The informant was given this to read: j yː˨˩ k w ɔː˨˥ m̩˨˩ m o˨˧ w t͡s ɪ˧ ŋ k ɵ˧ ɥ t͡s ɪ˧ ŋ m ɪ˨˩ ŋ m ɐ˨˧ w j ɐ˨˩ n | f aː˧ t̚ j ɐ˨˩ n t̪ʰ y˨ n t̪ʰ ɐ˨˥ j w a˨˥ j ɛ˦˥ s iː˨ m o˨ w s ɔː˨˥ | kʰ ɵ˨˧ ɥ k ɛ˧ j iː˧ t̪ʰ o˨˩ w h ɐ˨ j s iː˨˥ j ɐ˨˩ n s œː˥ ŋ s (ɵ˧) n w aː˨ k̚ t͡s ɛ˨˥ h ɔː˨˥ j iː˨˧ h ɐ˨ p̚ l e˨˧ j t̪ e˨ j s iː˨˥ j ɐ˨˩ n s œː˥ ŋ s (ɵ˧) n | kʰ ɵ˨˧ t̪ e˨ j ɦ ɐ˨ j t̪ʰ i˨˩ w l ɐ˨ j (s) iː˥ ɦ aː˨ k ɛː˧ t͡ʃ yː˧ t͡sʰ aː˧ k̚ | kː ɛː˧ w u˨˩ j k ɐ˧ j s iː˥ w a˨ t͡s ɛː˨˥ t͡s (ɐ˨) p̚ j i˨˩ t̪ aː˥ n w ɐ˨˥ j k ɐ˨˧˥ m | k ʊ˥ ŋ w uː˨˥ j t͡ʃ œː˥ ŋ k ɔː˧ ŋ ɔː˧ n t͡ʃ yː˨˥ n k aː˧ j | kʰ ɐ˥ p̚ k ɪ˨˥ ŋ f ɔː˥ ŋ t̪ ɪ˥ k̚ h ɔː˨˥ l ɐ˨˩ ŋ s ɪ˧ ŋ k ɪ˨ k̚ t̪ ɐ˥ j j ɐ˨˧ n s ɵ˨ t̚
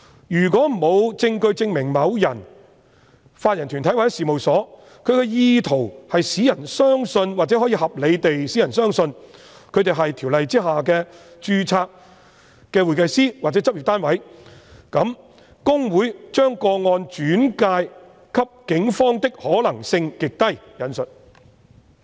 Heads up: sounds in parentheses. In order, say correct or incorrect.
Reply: correct, correct, incorrect: t͡s, incorrect: ɐ˥

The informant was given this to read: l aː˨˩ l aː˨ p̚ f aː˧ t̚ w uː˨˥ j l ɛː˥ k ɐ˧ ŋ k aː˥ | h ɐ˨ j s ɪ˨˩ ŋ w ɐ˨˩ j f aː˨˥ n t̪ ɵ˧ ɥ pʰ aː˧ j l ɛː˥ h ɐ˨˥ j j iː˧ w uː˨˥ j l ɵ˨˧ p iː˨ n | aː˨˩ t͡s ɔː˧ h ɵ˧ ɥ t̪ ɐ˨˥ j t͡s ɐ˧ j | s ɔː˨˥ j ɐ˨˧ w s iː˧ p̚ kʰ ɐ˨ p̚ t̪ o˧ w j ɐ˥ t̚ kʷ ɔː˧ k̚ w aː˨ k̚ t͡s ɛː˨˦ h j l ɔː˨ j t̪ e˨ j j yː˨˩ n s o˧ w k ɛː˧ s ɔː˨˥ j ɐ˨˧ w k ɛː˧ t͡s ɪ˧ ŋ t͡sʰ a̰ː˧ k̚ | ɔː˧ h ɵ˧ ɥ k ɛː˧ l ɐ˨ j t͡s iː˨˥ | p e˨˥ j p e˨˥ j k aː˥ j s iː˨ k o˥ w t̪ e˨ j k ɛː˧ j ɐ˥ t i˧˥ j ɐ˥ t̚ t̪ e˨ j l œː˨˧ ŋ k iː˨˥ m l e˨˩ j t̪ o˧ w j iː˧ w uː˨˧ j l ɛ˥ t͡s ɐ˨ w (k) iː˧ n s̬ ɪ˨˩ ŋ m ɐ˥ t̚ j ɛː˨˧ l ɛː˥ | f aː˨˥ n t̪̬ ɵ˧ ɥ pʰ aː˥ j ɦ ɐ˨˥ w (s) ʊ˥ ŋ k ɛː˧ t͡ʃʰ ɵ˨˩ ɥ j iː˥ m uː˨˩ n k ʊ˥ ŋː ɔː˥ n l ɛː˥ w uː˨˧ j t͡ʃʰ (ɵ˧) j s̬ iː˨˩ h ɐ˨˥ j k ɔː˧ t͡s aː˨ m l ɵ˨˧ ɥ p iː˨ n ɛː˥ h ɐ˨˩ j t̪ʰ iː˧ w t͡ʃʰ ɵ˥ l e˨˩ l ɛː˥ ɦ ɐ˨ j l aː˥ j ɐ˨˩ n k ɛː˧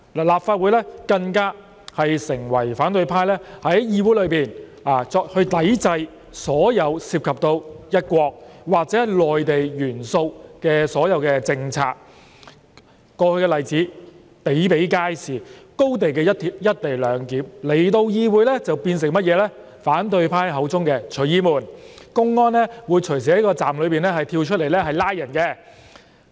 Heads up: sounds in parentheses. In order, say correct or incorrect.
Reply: incorrect: p, incorrect: t͡s, incorrect: ɵ˨˩

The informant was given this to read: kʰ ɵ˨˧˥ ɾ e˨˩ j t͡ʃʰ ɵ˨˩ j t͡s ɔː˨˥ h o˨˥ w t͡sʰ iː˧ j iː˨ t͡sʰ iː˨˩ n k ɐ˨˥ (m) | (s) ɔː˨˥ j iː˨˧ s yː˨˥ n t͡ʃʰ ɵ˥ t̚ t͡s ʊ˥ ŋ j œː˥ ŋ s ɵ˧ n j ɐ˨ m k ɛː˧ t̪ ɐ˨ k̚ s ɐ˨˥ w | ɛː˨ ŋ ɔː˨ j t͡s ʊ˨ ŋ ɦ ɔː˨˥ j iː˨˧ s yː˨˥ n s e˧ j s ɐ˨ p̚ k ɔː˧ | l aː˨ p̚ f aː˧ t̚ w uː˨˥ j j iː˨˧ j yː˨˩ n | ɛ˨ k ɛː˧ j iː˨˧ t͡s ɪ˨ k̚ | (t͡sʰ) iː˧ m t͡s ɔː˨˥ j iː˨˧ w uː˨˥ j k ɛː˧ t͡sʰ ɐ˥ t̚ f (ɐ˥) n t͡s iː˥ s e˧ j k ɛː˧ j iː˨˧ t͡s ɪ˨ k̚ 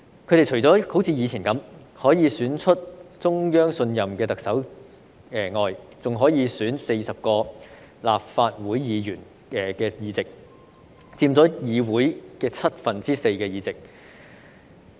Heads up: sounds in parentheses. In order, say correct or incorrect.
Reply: correct, incorrect: h, incorrect: t͡s, incorrect: ɐ˨

